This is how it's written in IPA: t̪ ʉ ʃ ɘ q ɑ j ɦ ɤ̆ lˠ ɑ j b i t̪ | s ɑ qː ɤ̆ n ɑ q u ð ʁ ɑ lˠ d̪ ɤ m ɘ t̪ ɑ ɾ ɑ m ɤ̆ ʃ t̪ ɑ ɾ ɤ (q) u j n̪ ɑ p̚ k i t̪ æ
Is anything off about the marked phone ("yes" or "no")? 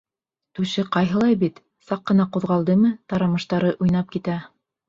yes